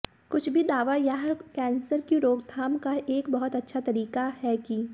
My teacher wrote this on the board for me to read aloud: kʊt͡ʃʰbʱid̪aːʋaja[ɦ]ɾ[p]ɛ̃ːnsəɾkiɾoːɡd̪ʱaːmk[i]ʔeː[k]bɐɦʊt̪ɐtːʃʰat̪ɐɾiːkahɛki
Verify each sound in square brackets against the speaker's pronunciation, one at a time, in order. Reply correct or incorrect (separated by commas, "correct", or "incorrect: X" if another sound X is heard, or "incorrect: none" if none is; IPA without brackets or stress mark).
correct, incorrect: k, incorrect: a, correct